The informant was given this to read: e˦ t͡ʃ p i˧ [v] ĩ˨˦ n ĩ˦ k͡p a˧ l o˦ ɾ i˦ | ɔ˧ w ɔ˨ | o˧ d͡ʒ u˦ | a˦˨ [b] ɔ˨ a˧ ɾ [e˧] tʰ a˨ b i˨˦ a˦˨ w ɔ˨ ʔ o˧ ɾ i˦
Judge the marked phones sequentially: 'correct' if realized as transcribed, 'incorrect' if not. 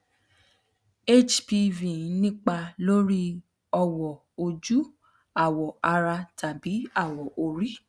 correct, incorrect: w, incorrect: a˧

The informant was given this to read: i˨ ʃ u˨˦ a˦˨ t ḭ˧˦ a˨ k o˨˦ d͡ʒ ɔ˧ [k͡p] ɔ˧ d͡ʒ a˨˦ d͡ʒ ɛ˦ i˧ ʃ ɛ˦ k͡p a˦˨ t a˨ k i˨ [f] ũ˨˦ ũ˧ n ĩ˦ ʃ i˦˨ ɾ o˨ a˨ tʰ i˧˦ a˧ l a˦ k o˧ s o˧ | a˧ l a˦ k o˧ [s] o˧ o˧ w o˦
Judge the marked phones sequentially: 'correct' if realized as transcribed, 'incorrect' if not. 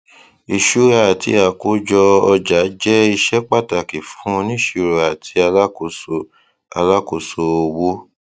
incorrect: none, correct, correct

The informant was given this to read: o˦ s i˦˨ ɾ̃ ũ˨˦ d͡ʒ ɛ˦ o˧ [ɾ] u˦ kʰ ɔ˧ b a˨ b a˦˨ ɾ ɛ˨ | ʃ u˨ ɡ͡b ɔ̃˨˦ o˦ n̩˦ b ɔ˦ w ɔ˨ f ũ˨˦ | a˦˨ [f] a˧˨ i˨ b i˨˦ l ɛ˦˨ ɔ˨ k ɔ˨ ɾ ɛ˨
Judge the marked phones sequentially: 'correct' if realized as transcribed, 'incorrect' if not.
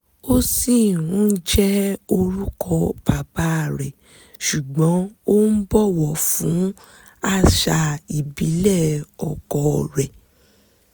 correct, incorrect: ʃ

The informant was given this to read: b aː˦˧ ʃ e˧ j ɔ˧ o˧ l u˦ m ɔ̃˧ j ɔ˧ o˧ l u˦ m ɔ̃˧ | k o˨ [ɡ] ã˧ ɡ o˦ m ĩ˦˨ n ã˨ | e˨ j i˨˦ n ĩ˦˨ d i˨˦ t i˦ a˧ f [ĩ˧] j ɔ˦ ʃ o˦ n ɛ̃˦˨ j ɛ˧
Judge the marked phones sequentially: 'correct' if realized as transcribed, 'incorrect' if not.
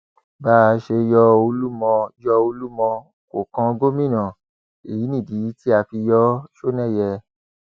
incorrect: k, incorrect: i˧

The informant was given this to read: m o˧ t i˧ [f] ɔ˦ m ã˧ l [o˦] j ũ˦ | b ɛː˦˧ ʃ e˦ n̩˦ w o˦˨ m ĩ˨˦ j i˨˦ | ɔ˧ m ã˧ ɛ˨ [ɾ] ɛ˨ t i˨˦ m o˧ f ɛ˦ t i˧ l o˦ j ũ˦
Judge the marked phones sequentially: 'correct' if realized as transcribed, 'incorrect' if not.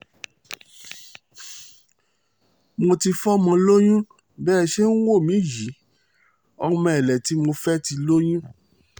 correct, correct, incorrect: l

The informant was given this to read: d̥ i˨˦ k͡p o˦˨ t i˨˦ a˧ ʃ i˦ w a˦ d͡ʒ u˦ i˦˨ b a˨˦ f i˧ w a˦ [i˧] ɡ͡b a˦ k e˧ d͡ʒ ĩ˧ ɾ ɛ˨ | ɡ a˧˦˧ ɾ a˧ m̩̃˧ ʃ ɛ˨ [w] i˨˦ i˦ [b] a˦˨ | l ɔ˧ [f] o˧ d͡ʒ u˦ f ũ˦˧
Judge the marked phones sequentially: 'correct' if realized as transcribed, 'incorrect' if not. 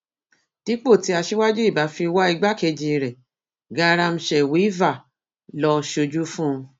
correct, correct, incorrect: v, incorrect: ʃ

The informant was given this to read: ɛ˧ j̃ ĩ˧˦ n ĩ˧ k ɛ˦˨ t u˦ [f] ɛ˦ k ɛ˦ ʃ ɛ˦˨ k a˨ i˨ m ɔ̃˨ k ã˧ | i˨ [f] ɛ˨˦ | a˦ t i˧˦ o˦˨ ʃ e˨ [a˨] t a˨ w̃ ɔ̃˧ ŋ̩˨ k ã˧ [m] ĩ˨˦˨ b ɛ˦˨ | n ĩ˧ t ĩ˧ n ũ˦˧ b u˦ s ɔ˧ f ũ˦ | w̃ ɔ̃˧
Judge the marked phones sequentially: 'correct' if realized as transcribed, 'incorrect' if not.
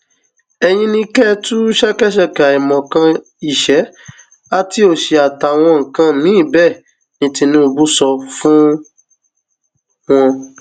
incorrect: ʃ, incorrect: ʃ, correct, incorrect: n

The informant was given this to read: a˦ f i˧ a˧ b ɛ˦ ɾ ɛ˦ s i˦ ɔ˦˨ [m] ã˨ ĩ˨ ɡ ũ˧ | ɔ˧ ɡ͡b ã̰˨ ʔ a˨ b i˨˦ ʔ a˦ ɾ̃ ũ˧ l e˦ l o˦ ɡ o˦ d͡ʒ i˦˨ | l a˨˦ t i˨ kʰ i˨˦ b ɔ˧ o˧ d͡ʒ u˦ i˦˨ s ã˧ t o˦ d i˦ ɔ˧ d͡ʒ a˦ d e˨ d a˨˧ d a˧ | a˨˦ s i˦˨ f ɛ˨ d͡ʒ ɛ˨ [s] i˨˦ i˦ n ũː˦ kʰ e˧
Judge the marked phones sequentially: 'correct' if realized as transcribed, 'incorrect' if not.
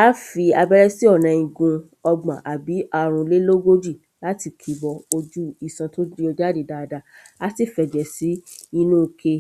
incorrect: n, correct

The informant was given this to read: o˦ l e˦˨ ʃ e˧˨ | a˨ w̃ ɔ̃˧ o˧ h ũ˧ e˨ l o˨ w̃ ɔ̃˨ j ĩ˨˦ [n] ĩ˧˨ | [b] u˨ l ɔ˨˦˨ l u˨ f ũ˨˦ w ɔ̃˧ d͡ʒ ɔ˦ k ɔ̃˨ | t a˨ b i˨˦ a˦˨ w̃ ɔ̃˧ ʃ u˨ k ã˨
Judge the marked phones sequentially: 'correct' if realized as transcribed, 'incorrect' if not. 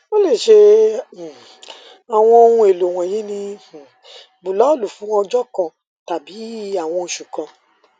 correct, correct

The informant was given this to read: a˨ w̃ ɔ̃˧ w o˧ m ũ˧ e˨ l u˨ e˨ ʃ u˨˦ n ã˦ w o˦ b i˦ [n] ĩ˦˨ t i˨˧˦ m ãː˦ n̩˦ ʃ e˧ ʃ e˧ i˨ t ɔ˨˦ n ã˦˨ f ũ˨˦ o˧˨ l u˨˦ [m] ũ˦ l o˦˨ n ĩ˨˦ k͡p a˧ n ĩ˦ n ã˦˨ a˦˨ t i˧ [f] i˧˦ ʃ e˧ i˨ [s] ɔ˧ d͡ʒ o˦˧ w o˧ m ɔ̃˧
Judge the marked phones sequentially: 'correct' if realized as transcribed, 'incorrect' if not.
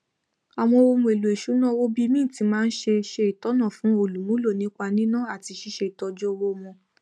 incorrect: m, correct, incorrect: ʃ, incorrect: t

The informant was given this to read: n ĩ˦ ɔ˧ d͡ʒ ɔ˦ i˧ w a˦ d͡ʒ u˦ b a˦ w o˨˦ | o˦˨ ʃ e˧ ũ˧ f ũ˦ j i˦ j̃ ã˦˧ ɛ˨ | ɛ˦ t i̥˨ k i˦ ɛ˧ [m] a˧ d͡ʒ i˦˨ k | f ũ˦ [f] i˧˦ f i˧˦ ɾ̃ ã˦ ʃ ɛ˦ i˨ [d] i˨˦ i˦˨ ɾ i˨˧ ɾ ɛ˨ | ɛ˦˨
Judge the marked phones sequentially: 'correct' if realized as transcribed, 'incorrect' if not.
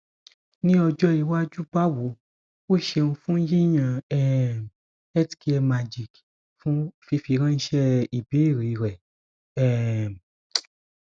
correct, correct, incorrect: b

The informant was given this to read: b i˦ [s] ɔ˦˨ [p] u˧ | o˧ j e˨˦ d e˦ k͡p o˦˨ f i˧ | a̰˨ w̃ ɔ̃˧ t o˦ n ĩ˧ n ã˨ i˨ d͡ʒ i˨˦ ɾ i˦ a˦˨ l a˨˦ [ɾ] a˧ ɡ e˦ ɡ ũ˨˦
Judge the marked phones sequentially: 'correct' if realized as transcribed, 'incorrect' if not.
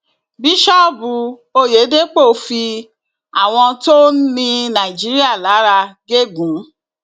incorrect: ʃ, incorrect: b, correct

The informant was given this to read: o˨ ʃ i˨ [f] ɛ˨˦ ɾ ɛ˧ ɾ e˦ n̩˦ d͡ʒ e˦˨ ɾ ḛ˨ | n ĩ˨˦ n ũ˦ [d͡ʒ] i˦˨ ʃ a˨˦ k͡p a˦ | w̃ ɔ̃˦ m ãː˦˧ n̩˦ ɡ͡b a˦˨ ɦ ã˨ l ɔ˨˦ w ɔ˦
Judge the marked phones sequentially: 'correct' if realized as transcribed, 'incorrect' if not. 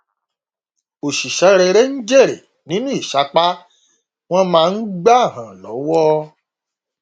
incorrect: ʃ, incorrect: none

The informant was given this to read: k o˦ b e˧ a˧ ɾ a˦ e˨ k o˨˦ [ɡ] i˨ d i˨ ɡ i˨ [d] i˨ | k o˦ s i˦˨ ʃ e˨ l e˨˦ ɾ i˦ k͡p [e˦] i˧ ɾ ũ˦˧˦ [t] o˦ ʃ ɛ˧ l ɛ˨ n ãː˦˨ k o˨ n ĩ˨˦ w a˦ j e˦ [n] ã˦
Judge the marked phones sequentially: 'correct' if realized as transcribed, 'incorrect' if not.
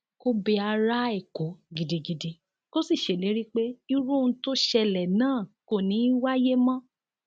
correct, correct, correct, correct, incorrect: m

